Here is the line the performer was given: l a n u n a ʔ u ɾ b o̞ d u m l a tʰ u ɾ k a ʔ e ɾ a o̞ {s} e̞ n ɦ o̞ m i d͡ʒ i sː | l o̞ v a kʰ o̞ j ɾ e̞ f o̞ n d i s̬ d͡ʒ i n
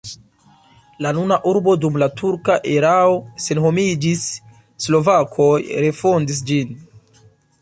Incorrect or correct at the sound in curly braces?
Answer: correct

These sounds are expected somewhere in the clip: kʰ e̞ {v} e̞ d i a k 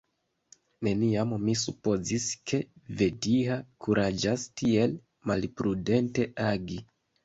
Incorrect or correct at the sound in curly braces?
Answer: correct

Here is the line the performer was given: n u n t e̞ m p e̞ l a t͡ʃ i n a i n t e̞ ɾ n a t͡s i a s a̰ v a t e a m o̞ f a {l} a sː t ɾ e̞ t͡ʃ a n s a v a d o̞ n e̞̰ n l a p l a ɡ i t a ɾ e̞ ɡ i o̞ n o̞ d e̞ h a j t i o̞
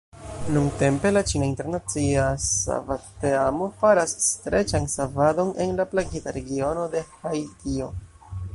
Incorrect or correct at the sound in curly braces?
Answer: incorrect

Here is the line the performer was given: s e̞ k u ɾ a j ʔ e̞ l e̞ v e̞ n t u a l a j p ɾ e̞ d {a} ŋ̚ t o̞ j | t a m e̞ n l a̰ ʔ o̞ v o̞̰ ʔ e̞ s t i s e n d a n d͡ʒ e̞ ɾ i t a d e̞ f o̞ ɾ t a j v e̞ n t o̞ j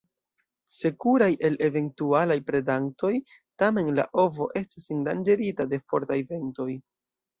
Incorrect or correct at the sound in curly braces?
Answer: correct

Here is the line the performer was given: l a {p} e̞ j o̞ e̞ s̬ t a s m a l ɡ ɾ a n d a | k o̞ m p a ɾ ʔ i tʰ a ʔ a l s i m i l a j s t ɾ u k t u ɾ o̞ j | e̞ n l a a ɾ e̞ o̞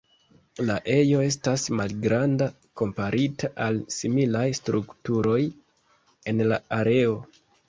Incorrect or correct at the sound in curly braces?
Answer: incorrect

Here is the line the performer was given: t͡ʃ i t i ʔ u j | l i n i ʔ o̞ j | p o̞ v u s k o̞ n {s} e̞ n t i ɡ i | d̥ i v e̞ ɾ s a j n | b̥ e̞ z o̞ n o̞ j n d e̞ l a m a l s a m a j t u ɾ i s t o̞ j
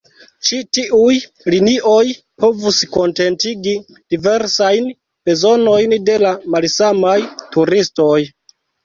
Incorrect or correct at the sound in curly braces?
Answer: incorrect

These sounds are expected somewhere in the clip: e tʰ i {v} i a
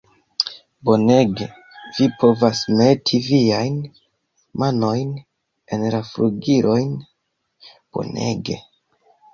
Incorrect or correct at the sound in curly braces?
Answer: correct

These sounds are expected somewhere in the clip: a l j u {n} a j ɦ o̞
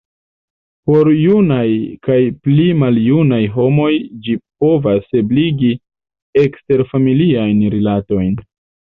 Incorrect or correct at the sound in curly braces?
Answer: correct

